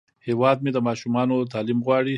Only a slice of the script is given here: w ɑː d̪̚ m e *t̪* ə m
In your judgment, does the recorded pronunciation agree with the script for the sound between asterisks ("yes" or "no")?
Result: no